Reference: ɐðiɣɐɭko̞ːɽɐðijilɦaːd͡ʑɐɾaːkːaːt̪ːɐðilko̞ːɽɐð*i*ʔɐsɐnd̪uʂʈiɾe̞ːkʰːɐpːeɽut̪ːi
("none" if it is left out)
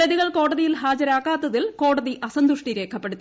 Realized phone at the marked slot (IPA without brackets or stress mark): i